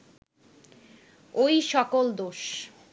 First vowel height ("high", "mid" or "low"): mid